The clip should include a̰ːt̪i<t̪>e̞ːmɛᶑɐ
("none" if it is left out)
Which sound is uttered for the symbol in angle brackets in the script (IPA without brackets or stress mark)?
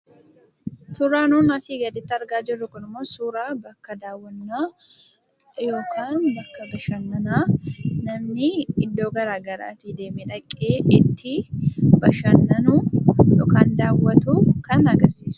d̪